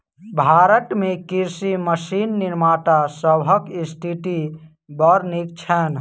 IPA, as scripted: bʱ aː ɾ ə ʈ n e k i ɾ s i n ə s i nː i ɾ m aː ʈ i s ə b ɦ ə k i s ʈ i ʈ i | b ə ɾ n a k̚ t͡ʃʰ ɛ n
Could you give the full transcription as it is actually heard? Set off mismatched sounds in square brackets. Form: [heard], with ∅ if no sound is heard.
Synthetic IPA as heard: bʱ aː ɾ ə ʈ [m] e k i ɾ s i [m] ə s i nː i ɾ m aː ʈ [a] s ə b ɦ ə k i s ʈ i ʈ i | b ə ɾ n [i] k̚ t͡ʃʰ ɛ n